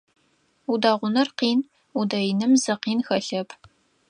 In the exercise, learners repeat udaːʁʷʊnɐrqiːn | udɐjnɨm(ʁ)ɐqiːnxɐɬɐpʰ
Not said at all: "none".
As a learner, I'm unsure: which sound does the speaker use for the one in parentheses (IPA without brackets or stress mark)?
z